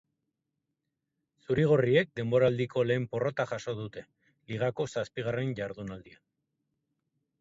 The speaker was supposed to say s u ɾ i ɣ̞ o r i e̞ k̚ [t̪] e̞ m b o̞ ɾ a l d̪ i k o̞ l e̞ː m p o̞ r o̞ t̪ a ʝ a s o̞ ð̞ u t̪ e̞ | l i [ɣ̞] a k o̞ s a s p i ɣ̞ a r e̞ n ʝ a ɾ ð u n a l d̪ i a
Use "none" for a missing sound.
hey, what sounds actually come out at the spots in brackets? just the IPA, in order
d̪, ɣ̞

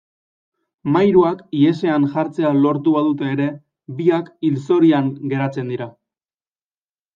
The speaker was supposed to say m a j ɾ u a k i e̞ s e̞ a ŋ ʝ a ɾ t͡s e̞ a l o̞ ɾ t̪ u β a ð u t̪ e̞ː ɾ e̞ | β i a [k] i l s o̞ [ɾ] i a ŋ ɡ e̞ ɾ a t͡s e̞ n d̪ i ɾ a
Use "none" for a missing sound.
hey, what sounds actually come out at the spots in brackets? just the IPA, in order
k, ɾ

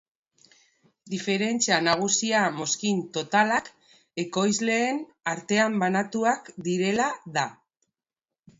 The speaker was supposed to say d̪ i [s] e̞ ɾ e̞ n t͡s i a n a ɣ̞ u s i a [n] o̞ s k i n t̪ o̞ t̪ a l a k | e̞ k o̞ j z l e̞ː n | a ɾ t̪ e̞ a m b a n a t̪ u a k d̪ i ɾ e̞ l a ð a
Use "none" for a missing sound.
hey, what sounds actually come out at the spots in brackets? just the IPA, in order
f, m

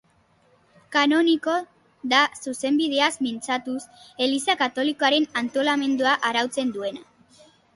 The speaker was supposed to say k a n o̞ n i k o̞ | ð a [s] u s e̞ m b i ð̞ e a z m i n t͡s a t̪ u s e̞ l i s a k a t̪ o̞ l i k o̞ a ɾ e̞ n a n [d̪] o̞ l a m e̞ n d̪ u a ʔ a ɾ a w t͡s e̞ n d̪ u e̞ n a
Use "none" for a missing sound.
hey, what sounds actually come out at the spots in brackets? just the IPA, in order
s, t̪

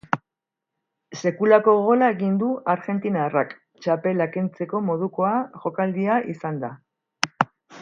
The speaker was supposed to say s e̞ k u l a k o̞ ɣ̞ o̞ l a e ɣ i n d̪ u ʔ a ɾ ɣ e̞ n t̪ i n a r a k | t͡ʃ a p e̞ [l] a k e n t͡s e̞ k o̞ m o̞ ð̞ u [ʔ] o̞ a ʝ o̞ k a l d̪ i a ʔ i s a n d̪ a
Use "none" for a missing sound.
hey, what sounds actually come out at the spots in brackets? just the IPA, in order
l, k

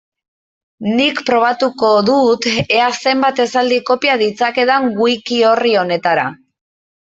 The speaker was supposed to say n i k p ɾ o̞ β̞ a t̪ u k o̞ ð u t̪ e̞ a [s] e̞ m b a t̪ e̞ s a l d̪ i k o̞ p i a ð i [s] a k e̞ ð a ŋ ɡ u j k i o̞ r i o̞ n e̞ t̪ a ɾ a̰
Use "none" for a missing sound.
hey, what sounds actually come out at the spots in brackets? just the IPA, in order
s, t͡s

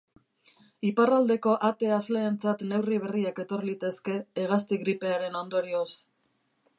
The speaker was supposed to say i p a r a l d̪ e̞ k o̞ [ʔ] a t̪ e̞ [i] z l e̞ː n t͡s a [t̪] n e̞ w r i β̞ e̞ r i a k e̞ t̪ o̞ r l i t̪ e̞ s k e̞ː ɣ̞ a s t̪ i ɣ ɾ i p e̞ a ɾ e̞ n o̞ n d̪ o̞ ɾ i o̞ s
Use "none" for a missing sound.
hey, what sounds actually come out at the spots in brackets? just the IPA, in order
ʔ, a, t̪

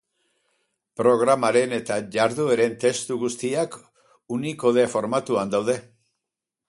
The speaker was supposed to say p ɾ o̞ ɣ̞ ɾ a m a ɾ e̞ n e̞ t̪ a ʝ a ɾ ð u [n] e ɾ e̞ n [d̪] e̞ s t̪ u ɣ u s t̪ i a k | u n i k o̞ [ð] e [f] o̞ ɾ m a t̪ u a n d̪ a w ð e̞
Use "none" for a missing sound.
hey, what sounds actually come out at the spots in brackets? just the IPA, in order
none, t̪, ð, f

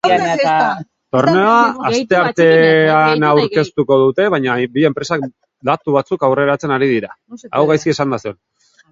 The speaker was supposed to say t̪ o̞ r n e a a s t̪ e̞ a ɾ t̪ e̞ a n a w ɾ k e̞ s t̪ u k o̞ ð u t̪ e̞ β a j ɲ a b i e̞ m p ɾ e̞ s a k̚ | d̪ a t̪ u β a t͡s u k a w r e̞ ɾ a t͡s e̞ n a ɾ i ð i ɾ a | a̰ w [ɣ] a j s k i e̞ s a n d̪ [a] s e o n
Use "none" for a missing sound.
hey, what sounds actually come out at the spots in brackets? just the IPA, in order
ɣ, a

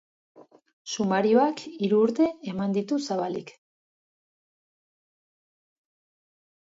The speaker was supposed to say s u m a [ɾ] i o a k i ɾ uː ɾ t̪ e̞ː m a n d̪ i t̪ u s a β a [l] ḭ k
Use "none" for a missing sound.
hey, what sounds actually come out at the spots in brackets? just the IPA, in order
ɾ, l

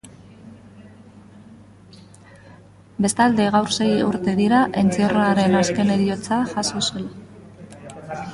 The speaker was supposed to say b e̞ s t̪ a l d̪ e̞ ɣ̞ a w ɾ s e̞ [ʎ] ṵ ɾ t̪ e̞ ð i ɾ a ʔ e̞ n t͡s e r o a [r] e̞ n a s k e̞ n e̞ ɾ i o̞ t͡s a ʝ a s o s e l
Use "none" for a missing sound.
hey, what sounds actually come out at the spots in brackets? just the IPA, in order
j, ɾ

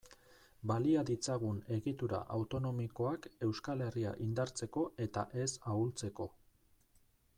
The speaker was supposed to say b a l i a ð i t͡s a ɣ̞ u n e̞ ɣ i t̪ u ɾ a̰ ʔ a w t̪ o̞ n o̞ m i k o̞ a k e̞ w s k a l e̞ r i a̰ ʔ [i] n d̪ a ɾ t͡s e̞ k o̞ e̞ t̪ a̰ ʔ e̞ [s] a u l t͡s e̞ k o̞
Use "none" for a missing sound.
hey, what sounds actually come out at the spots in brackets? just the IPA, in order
i, s

